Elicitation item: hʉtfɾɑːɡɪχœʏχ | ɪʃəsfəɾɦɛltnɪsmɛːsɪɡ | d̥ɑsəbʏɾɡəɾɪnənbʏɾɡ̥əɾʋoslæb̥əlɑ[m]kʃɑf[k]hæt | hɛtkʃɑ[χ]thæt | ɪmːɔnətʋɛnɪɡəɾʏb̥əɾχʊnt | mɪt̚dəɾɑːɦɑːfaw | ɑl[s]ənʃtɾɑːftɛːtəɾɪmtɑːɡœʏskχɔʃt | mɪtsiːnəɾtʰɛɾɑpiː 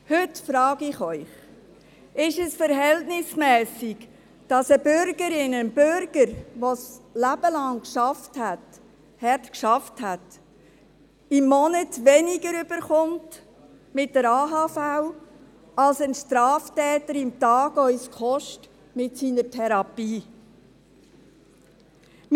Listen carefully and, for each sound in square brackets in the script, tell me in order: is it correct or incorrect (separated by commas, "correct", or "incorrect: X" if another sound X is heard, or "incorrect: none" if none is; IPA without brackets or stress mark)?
incorrect: ŋ, incorrect: t, incorrect: f, correct